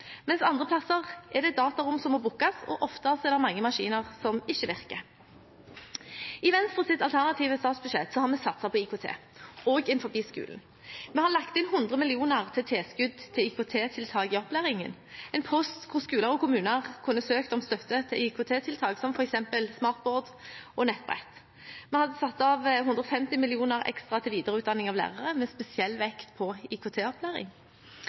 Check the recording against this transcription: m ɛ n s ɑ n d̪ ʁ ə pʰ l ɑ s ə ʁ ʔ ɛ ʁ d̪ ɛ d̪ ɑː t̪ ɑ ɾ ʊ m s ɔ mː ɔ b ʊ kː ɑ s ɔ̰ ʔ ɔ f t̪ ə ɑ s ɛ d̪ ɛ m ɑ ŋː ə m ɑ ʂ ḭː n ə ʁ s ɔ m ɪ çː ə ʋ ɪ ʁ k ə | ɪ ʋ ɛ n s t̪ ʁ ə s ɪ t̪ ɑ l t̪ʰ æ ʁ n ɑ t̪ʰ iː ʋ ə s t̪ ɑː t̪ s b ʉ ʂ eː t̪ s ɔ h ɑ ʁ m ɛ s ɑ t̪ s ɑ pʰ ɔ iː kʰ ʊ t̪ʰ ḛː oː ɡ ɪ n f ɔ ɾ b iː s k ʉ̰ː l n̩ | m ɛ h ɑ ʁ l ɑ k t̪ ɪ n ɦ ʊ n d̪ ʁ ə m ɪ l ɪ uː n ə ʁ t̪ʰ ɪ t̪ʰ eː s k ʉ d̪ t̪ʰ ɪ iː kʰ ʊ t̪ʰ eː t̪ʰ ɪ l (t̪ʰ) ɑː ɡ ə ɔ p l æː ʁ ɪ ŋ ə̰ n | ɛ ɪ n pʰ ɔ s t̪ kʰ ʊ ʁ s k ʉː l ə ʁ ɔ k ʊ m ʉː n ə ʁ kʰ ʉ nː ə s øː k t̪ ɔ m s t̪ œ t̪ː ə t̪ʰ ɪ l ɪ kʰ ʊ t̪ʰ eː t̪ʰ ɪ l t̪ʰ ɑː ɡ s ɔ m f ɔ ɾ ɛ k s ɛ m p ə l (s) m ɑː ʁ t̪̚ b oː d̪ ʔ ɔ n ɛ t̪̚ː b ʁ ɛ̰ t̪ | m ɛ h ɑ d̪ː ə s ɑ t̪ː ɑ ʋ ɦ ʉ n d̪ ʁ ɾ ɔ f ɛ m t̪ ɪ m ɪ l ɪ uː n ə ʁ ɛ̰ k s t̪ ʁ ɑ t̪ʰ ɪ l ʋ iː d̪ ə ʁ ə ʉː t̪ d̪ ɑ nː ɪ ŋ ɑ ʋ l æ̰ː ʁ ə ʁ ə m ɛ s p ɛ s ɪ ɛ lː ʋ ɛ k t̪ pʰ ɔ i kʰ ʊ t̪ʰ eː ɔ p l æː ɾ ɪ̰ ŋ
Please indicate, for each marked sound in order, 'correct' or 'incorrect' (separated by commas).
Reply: correct, correct